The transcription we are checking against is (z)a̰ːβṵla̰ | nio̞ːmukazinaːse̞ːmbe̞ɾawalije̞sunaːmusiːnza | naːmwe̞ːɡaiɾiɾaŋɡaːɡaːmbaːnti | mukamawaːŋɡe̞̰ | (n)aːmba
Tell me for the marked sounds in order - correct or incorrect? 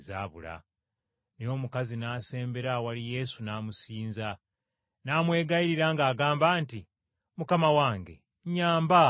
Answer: correct, incorrect: ɲ

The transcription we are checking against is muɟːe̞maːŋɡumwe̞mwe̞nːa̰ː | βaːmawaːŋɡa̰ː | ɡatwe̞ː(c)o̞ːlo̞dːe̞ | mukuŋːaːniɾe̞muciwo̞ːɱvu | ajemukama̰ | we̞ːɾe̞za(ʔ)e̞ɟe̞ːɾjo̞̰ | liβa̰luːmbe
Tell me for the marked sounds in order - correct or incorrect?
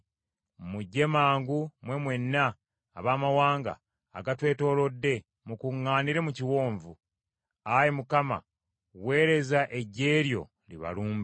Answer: incorrect: t, correct

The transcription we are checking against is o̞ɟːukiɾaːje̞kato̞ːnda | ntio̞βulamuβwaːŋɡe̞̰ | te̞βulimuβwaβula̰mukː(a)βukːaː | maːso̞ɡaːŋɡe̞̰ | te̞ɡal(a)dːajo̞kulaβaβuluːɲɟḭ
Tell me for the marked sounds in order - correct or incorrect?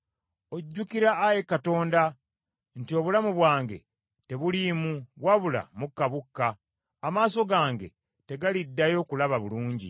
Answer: correct, incorrect: i

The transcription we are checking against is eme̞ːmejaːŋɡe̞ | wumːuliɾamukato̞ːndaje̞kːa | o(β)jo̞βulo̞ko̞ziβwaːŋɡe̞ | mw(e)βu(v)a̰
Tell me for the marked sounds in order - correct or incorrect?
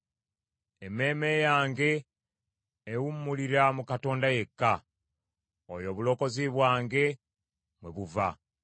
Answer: incorrect: none, correct, correct

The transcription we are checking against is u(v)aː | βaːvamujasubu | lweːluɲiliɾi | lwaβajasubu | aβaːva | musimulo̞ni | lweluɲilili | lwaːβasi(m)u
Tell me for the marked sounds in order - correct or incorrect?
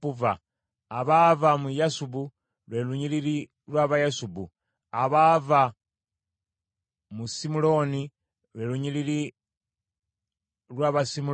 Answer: correct, correct

